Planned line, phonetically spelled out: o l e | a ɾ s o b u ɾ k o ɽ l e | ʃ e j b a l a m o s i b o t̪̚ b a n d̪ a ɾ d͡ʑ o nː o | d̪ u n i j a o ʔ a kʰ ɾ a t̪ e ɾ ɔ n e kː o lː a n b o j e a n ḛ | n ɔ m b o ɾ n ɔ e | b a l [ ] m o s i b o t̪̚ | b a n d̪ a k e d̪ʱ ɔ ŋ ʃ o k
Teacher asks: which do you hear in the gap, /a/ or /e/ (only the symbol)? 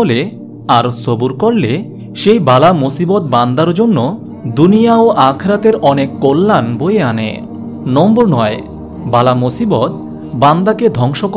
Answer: a